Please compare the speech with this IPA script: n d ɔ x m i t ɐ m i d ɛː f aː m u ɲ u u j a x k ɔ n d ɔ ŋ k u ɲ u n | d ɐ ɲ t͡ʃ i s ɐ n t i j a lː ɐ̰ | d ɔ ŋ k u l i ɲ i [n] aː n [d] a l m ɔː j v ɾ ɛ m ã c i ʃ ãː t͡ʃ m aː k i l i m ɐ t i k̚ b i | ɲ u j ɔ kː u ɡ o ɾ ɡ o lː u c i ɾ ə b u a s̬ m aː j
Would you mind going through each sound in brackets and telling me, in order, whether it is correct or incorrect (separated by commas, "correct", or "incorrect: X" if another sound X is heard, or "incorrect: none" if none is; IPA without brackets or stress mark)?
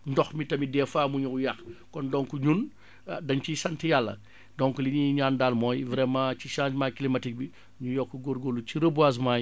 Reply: incorrect: ɲ, correct